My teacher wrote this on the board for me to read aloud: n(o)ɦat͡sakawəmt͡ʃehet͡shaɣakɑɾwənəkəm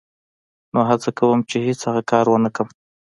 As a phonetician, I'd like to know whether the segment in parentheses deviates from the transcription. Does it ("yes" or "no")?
no